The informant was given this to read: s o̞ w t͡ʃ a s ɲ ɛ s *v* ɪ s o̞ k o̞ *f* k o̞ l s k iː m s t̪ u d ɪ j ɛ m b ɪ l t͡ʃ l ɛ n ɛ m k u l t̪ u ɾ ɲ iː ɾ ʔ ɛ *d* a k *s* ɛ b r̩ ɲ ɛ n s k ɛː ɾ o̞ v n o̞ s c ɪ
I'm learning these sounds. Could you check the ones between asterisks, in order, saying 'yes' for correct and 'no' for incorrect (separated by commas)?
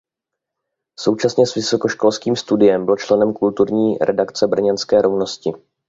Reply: yes, no, yes, no